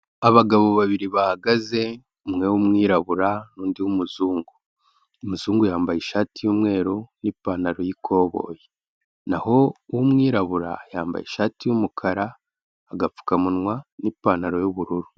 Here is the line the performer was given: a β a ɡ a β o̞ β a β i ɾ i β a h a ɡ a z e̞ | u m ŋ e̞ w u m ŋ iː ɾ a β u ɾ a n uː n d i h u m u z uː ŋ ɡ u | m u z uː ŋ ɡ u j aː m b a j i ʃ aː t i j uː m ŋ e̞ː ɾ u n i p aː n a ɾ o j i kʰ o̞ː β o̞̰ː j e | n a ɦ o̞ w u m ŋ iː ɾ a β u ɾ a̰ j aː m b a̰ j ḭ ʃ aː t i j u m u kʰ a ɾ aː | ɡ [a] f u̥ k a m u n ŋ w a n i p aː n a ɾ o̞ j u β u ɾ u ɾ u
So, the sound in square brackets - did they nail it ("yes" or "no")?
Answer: yes